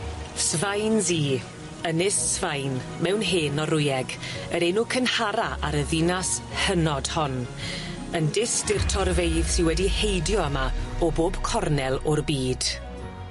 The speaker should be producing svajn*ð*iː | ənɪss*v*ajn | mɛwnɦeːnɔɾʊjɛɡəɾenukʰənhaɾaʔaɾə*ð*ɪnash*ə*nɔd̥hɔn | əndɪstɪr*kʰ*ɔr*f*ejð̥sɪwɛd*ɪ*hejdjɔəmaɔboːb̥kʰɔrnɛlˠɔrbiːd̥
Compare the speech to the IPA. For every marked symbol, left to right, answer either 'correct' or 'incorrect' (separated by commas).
incorrect, correct, correct, correct, incorrect, incorrect, incorrect